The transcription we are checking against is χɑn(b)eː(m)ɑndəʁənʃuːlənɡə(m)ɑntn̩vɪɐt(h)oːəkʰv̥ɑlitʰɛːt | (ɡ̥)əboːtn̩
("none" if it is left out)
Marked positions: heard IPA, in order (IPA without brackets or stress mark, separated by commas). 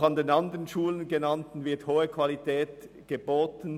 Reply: d, n, n, h, ɡ̥